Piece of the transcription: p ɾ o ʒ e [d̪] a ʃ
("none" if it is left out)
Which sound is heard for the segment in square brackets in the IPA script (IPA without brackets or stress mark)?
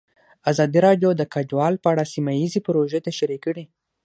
t̪